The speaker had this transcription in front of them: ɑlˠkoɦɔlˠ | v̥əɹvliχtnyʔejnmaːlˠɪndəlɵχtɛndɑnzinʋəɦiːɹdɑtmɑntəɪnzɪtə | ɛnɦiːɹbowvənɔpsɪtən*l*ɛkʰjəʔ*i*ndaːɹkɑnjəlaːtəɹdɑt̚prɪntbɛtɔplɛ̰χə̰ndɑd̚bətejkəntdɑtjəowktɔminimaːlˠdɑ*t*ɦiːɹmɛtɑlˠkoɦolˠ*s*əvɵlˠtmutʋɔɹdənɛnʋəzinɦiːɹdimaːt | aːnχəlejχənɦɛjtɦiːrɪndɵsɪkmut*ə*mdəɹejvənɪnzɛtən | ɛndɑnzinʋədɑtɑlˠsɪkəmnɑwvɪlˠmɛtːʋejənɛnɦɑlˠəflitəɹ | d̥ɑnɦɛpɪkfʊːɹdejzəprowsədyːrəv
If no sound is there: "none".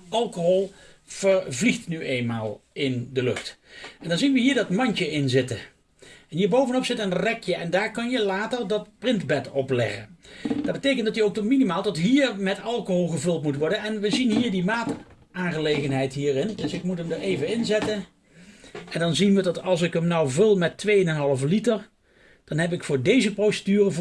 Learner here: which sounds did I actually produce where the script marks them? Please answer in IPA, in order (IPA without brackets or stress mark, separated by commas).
r, ɛ, t, χ, ə